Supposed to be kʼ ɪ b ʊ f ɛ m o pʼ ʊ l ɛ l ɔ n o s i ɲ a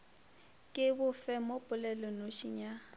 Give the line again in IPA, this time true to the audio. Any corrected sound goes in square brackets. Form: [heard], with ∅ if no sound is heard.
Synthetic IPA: kʼ ɪ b ʊ f ɛ m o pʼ ʊ l ɛ l ɔ n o [ʃ] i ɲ a